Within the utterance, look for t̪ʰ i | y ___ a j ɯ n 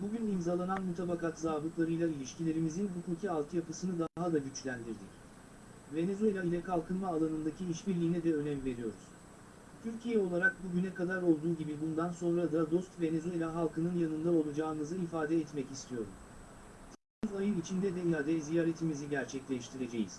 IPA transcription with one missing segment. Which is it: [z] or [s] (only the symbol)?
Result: z